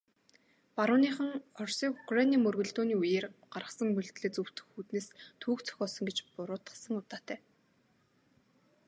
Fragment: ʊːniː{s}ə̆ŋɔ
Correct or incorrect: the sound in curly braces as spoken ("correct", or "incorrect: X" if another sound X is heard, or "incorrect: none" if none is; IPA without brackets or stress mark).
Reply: incorrect: χ